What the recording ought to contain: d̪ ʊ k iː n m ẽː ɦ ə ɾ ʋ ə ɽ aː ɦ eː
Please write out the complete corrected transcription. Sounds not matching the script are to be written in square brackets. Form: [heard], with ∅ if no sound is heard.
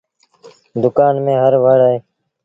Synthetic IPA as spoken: d̪ ʊ k [aː] n m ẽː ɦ ə ɾ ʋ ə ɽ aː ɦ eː